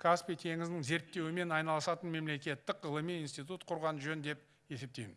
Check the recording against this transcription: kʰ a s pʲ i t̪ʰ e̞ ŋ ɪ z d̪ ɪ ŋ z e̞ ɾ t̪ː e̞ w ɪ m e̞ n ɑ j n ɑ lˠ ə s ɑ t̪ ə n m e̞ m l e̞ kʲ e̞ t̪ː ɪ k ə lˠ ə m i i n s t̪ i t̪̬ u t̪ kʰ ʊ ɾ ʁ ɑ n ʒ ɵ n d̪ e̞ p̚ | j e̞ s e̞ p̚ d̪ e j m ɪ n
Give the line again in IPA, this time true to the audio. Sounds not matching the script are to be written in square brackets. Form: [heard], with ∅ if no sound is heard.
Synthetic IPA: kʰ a s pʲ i t̪ʰ e̞ ŋ ɪ z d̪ ɪ ŋ z e̞ ɾ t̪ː e̞ w ɪ m e̞ n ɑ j n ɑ lˠ ə s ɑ t̪ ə n m e̞ m l e̞ kʲ e̞ t̪ː ɪ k ə lˠ ə m i i n s t̪ i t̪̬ u t̪ [qʰ] ʊ ɾ ʁ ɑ n ʒ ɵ n d̪ e̞ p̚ | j e̞ s e̞ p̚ [t̪] e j m ɪ n